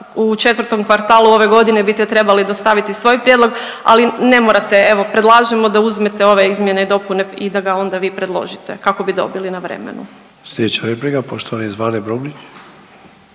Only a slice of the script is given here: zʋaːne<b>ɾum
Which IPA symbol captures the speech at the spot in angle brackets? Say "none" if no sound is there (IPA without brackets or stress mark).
b